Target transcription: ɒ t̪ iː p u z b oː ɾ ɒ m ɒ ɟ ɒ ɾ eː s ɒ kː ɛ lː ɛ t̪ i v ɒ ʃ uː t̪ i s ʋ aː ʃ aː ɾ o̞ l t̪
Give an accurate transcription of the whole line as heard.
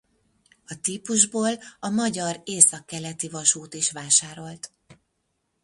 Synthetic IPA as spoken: ɒ t̪ iː p u ʒ b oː l ɒ m ɒ ɟ ɒ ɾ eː s ɒ kː ɛ l ɛ t̪ i v ɒ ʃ uː t̪ i ʃ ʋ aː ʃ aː ɾ o̞ l t̪